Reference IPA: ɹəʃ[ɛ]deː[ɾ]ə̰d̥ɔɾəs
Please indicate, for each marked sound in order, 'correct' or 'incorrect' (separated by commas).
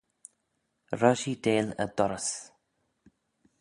incorrect, incorrect